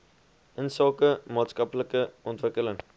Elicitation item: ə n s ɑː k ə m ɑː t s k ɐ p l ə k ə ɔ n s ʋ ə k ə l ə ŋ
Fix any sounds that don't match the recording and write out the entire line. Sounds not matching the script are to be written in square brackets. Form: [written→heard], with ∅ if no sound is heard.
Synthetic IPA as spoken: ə n s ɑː k ə m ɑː t s k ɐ p l ə k ə ɔ n [s→t] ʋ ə k ə l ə ŋ